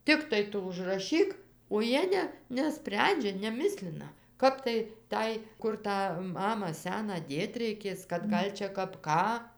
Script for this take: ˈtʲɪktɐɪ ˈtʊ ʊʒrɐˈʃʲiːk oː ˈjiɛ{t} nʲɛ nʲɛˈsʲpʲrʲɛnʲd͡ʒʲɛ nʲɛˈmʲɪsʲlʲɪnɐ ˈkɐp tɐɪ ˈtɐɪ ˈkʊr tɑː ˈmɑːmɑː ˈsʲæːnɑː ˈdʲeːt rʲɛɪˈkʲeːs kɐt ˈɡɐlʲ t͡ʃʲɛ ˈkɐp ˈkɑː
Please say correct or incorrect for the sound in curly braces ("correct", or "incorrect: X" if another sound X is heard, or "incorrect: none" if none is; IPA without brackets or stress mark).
incorrect: none